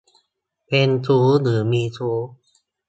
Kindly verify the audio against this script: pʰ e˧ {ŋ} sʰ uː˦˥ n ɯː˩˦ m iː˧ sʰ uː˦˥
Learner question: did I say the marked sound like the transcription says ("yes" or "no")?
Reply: no